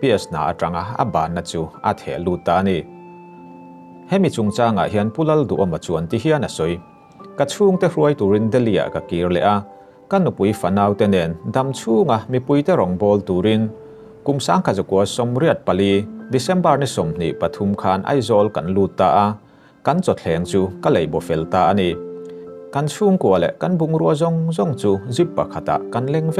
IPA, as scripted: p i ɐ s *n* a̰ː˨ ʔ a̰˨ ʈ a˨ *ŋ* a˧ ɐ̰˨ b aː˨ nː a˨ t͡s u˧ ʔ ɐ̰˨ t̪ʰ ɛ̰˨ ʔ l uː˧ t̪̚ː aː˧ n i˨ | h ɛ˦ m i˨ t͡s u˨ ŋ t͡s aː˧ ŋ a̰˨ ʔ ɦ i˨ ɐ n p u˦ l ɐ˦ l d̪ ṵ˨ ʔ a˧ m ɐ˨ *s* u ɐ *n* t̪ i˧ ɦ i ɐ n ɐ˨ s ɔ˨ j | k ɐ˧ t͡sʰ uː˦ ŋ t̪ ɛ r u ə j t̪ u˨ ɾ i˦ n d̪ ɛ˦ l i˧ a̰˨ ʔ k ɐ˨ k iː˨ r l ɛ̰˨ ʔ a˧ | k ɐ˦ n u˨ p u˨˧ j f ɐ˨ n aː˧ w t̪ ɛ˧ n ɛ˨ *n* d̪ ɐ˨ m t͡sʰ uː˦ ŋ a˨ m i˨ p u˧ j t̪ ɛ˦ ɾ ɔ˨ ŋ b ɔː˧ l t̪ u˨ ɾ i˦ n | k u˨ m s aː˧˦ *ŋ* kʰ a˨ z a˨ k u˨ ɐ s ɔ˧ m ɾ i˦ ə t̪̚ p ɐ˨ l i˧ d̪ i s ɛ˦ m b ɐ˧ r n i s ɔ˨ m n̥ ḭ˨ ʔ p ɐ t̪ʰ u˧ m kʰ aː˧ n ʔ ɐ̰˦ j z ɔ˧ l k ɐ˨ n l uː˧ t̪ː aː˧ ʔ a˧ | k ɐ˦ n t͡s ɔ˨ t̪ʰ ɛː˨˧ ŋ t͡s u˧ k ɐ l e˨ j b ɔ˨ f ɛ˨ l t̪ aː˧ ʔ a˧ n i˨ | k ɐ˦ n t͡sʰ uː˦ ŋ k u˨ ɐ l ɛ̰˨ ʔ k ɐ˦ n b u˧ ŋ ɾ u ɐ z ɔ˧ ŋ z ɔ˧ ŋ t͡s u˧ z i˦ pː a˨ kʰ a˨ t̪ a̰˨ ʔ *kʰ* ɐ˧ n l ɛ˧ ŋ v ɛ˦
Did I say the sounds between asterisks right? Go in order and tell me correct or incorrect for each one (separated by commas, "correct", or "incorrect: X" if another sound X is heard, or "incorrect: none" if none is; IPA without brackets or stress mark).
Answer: correct, correct, incorrect: t͡s, correct, correct, correct, incorrect: k